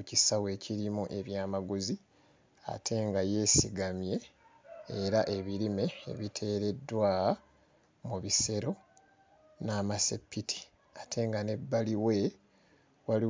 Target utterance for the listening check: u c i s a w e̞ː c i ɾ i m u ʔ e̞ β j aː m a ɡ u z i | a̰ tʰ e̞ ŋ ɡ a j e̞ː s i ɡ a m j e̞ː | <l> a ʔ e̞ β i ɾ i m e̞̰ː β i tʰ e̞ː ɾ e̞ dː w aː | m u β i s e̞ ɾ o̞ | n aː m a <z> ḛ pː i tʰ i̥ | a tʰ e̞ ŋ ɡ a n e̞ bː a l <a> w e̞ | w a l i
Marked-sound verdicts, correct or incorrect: incorrect: ɾ, incorrect: s, incorrect: i

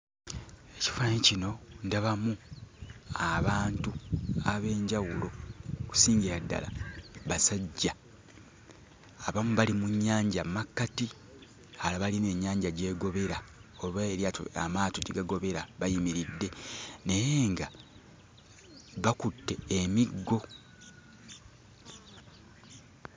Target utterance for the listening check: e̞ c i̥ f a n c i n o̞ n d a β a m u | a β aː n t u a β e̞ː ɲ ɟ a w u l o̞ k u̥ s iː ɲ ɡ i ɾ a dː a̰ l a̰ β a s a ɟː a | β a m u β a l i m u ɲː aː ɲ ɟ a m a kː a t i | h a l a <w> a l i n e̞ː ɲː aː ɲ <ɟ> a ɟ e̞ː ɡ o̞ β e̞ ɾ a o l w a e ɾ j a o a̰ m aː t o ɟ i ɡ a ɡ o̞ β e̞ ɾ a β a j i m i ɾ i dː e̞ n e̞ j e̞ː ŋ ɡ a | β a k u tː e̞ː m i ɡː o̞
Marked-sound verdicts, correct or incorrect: incorrect: β, correct

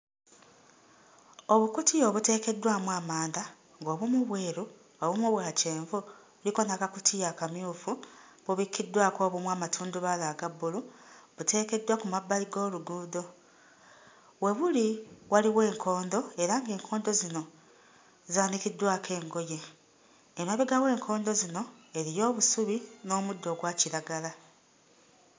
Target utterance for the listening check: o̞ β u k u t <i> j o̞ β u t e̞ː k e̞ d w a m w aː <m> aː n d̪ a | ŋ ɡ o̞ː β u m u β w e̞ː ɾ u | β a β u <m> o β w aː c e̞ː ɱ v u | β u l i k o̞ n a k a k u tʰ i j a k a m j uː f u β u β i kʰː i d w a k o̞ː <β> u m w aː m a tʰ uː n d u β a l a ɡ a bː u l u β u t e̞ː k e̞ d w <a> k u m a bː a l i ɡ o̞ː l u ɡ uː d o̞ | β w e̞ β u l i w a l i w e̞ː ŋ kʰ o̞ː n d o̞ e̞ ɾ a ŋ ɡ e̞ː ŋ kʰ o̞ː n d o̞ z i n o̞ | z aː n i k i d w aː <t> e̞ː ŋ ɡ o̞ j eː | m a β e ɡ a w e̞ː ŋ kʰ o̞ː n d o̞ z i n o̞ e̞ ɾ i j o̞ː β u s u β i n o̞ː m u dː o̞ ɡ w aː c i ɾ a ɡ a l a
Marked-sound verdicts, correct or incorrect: correct, correct, correct, correct, correct, incorrect: k

